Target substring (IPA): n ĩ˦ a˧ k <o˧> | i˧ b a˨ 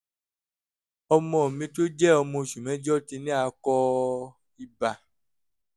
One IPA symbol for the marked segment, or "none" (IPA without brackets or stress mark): ɔ˧